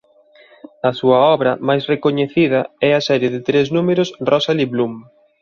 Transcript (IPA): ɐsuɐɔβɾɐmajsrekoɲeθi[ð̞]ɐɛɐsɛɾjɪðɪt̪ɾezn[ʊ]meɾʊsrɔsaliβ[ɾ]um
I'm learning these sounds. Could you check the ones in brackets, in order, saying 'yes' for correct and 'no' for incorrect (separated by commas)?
yes, no, no